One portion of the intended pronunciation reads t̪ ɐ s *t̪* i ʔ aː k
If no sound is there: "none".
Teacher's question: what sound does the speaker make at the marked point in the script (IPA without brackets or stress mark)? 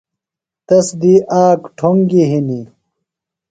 d̪